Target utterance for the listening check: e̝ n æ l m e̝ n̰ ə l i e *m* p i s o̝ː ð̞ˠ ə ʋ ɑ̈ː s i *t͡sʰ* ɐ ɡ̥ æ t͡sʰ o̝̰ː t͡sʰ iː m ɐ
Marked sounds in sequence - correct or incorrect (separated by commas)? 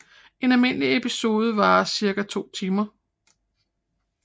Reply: incorrect, incorrect